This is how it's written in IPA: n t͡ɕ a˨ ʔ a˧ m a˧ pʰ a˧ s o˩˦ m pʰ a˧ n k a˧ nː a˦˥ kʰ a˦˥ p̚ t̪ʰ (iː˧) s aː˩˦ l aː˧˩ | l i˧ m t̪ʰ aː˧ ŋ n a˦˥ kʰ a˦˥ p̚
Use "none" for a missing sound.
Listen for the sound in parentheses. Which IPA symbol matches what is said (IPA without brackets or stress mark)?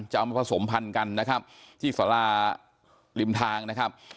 iː˥˩